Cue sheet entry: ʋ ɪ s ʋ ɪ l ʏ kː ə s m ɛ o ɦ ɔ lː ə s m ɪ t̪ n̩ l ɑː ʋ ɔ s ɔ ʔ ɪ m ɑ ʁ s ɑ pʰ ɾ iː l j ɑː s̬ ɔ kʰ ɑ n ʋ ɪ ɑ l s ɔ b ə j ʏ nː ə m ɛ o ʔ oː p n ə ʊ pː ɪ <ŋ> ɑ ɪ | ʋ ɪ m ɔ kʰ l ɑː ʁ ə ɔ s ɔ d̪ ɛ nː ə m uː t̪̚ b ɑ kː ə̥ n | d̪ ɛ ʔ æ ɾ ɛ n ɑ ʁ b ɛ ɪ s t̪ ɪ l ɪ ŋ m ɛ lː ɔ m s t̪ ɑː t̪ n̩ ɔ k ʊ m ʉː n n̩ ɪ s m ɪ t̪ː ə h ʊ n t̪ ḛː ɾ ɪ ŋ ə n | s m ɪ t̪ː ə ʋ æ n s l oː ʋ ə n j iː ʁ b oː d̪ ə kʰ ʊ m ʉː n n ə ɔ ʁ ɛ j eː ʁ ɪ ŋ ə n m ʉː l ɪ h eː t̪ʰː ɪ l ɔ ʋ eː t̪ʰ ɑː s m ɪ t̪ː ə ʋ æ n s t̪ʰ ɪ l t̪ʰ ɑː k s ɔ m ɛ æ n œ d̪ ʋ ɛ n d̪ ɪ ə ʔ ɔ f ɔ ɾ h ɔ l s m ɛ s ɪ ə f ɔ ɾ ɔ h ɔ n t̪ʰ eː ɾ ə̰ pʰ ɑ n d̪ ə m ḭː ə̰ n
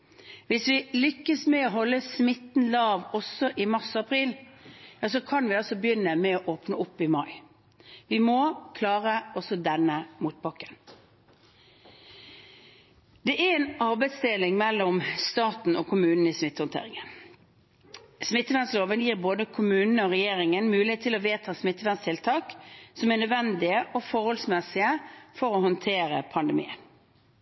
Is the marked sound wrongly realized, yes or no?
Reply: yes